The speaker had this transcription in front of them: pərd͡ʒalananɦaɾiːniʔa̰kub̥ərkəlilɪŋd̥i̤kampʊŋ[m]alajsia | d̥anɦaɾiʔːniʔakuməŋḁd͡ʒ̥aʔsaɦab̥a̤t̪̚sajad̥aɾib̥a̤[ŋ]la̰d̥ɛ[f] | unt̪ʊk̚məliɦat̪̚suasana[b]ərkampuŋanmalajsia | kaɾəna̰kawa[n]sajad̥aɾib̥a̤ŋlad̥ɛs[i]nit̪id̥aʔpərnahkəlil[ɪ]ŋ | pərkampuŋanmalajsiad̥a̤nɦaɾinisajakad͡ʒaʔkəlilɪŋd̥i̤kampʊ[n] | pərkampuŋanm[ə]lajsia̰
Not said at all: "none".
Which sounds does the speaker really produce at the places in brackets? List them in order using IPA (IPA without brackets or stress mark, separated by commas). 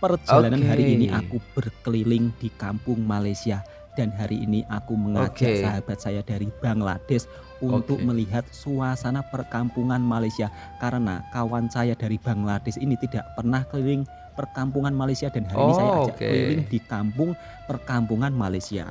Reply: m, ŋ, s, p, n, i, ɪ, ŋ, a